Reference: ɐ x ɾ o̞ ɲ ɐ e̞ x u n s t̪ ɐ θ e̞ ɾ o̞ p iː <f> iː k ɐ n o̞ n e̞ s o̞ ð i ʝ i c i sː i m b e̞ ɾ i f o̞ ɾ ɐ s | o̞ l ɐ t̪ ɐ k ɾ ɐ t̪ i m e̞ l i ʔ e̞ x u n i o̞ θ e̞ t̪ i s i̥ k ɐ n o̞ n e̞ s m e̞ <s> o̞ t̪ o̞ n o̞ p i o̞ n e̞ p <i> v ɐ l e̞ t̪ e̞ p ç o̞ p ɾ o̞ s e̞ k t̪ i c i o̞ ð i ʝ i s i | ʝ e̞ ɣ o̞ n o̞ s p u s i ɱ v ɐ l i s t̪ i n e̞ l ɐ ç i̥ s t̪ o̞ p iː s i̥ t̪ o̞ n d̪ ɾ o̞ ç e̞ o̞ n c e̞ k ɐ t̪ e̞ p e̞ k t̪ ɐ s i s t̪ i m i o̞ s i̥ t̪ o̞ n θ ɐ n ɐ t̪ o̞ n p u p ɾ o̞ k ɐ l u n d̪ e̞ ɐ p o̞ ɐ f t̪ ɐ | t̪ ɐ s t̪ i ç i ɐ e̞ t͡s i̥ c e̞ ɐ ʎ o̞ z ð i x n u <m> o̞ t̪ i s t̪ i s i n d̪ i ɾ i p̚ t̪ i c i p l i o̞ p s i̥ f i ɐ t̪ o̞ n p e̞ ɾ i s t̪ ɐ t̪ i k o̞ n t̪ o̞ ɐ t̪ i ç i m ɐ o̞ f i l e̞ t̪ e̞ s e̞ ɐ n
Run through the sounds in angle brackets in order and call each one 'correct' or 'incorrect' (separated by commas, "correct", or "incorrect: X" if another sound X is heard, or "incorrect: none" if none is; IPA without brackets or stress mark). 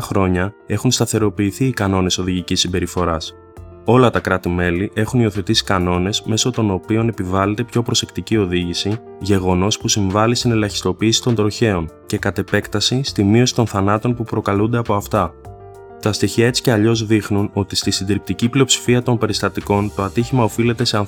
incorrect: θ, correct, correct, incorrect: n